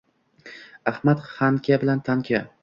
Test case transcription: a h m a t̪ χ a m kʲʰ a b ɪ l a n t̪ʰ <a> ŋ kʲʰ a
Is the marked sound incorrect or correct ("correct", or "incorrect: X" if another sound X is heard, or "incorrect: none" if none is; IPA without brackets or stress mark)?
correct